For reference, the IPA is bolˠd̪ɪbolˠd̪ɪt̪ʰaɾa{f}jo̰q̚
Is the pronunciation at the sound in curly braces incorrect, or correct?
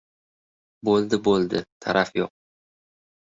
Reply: correct